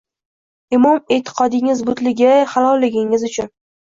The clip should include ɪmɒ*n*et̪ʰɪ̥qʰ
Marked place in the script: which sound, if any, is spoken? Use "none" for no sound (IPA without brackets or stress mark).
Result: m